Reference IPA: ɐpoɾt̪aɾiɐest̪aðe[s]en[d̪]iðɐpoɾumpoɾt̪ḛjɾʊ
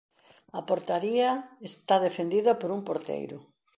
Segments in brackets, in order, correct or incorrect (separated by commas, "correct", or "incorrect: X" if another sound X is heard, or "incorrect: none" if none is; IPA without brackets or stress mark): incorrect: f, correct